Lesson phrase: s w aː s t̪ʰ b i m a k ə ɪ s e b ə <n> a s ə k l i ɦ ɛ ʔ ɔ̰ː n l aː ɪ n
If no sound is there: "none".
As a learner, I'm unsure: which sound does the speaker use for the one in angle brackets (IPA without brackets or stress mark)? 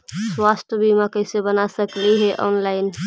n